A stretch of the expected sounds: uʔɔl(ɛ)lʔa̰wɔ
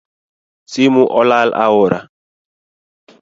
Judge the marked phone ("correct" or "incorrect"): incorrect